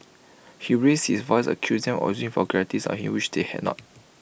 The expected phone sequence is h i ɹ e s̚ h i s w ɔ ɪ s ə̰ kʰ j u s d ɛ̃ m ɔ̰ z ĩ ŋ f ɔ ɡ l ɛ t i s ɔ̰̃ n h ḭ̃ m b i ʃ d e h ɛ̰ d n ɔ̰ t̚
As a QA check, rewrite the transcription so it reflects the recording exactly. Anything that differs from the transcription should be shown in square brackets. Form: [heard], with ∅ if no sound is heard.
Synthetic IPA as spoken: h i ɹ e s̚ h i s [v] ɔ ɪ s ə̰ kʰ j u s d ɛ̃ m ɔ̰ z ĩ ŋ f ɔ ɡ [ɹ] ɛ t i s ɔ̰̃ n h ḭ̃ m [w] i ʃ d e h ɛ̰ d n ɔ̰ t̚